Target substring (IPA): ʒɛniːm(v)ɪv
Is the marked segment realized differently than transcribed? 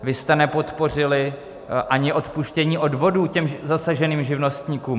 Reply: yes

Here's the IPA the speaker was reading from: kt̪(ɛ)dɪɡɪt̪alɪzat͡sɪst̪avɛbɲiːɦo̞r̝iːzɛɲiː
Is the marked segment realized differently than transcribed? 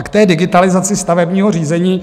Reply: yes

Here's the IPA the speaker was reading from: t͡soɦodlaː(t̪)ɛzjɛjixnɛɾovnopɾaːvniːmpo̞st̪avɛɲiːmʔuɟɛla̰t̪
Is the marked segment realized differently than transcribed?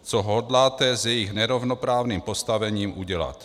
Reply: no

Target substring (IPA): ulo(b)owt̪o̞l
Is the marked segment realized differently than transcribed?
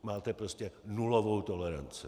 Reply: yes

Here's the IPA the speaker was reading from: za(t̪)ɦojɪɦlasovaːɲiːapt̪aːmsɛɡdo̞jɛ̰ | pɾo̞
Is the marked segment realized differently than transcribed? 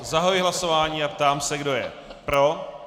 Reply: yes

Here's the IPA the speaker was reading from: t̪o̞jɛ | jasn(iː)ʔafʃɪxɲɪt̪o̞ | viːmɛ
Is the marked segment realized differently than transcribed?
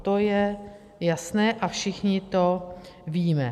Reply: yes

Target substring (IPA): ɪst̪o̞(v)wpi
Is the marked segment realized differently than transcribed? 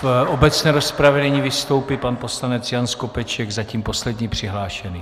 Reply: yes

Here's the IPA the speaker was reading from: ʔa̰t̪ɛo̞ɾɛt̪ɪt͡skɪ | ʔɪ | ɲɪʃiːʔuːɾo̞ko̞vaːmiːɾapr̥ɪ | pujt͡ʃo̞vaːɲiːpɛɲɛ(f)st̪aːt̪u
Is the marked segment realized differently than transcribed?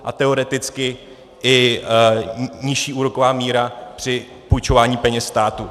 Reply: yes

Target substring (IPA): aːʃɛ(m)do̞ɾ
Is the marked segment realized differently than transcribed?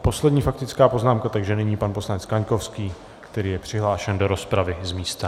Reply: yes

